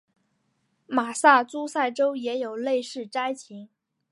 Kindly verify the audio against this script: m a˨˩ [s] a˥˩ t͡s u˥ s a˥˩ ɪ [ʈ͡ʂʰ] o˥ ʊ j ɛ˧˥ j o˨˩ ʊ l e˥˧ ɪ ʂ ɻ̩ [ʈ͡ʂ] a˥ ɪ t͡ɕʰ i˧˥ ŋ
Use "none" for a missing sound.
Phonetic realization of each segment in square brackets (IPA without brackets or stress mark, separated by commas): s, ʈ͡ʂ, ʈ͡ʂ